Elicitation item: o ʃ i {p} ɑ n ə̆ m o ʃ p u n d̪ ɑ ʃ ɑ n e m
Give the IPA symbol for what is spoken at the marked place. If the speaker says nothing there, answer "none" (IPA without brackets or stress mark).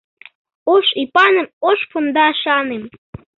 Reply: p